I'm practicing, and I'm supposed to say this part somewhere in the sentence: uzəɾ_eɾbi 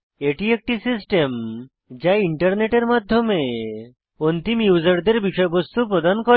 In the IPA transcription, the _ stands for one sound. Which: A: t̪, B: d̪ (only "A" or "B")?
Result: B